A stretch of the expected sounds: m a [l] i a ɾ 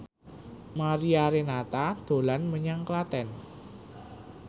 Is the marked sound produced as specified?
no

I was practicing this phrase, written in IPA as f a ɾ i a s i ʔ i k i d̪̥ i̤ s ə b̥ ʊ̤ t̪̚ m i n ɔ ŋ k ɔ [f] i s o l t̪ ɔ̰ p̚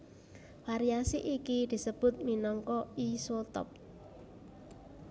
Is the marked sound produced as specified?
no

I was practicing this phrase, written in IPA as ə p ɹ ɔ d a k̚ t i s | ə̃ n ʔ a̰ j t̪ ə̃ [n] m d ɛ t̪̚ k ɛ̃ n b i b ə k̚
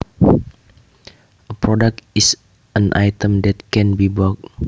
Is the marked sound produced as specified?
no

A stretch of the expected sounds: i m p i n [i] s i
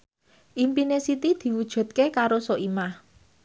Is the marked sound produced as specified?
no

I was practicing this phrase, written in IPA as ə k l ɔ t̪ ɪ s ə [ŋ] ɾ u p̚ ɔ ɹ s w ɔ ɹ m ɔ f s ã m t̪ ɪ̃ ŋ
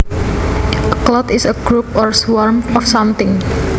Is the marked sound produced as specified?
no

